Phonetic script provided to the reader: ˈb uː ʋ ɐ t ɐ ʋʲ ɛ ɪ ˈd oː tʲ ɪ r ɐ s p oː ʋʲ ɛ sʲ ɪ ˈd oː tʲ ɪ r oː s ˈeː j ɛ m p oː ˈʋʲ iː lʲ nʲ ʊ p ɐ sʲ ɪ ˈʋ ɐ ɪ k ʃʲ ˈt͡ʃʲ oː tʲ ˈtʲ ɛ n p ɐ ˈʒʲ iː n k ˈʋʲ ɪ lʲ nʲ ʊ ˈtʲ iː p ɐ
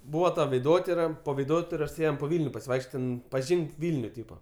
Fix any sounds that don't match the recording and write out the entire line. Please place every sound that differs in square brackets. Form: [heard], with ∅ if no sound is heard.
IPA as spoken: ˈb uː ʋ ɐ t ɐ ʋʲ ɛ ɪ ˈd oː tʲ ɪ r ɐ [∅] p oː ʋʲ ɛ [∅] ɪ ˈd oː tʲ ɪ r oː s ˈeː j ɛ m p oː ˈʋʲ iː lʲ nʲ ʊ p ɐ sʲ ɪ ˈʋ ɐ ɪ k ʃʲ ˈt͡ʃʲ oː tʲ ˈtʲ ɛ n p ɐ ˈʒʲ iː [ŋ] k ˈʋʲ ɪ lʲ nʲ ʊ ˈtʲ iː p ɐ